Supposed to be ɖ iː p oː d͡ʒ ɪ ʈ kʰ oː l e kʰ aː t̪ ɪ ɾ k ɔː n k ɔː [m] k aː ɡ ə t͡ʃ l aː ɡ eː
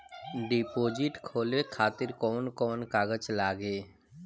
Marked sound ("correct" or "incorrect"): incorrect